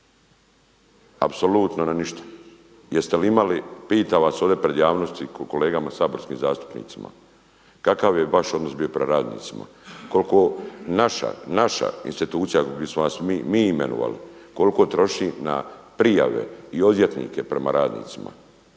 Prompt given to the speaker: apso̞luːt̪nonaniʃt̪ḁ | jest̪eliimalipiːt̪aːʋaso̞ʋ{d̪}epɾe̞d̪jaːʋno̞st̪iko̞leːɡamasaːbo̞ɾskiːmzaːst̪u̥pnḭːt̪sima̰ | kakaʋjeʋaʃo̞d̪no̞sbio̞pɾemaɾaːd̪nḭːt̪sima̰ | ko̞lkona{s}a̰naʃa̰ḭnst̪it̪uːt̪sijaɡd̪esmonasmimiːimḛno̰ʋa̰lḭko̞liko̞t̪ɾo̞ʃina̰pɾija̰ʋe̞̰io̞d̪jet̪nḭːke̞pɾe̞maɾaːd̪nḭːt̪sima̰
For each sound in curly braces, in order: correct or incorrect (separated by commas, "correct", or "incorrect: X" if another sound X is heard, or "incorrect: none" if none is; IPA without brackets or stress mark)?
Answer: correct, incorrect: ʃ